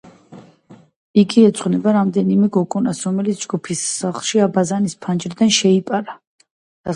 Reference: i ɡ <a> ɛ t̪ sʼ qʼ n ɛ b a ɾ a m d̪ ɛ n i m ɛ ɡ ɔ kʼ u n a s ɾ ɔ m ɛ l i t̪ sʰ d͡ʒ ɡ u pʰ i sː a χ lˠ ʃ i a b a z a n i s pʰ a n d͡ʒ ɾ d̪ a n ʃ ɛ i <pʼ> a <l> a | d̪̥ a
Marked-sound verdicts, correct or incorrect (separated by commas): incorrect, correct, incorrect